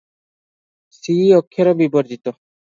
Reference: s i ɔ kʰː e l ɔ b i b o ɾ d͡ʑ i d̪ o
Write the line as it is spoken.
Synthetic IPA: s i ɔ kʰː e ɾ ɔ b i b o ɾ d͡ʑ i t̪ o